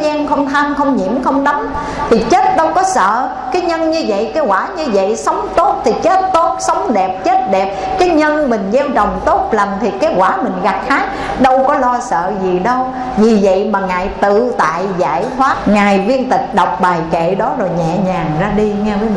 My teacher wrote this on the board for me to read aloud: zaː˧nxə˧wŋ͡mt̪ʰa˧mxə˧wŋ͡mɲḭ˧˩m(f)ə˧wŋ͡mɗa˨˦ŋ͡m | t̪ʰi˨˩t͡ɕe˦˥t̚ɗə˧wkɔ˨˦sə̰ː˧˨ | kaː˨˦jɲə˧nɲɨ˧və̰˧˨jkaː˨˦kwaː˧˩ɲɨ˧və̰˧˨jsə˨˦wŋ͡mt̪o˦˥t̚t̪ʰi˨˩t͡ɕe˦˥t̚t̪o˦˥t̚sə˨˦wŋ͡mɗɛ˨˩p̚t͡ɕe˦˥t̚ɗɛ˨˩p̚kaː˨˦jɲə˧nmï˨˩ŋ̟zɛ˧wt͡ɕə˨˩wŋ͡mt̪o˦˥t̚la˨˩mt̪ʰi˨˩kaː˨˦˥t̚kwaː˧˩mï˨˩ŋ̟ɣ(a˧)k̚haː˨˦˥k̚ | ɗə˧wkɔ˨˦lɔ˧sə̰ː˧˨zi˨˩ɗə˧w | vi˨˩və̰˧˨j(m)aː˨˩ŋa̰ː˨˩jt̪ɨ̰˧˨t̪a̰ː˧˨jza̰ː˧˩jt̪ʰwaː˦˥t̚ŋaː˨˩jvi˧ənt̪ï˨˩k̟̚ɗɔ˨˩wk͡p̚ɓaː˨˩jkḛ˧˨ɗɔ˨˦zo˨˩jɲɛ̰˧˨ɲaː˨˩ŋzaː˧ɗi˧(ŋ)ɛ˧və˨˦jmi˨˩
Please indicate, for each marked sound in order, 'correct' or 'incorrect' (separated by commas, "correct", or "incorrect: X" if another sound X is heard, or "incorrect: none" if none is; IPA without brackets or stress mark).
incorrect: x, incorrect: a˨˩, correct, correct